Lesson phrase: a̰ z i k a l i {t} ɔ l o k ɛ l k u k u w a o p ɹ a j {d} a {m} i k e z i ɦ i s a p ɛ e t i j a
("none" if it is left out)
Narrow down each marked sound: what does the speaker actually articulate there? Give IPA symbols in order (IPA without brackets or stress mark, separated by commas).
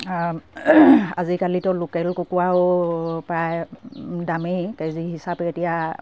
t, d, m